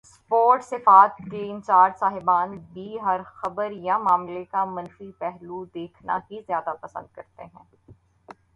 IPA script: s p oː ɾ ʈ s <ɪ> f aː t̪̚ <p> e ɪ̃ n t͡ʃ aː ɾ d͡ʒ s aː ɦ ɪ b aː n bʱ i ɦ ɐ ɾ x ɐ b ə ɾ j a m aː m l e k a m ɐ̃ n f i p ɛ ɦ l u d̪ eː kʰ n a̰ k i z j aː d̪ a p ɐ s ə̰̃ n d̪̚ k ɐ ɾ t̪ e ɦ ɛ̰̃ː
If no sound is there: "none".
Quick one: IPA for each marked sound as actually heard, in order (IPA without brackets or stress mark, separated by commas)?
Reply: ɪ, k